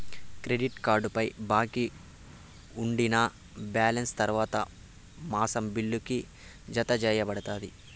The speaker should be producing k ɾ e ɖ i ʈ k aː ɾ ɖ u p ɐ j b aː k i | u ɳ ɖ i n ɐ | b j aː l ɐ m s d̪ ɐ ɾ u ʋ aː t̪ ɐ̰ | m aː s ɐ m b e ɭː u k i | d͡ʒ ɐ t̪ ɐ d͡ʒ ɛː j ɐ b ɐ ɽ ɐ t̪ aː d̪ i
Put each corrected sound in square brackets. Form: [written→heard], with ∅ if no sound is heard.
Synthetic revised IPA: k ɾ e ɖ i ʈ k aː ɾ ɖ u p ɐ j b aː k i | u ɳ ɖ i n ɐ | b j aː l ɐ [m→n] s [d̪→t̪] ɐ ɾ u ʋ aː t̪ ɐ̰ | m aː s ɐ m b [e→i] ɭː u k i | d͡ʒ ɐ t̪ ɐ d͡ʒ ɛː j ɐ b ɐ ɽ ɐ t̪ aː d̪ i